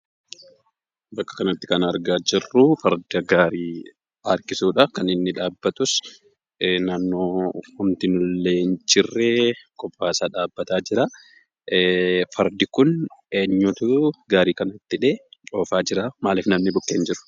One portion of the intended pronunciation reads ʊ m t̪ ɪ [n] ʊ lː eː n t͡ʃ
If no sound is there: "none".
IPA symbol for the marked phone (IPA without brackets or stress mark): n